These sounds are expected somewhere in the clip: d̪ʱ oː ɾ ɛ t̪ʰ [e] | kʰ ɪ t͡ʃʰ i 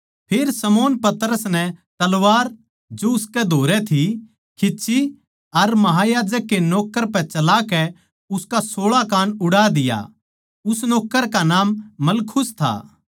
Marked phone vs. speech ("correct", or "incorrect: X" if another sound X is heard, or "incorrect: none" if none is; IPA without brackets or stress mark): incorrect: i